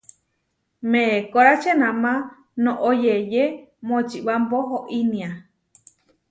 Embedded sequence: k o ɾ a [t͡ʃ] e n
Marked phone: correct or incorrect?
correct